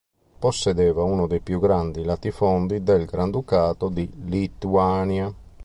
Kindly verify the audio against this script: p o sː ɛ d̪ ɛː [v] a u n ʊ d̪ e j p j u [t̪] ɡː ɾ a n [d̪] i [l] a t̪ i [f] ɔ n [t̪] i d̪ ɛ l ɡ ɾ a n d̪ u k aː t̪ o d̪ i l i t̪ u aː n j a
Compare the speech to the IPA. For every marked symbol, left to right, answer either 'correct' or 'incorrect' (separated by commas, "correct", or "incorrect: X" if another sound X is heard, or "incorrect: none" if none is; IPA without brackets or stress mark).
correct, incorrect: none, correct, correct, correct, incorrect: d̪